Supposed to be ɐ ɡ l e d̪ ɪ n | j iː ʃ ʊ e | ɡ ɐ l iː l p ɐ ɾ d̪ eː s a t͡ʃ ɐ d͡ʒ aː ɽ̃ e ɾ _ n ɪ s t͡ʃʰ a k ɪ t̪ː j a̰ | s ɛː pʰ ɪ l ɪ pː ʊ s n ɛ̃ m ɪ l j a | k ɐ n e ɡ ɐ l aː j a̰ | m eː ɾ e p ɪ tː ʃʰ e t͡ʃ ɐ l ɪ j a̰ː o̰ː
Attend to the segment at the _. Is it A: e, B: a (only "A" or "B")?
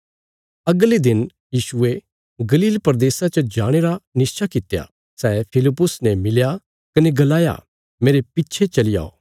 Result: B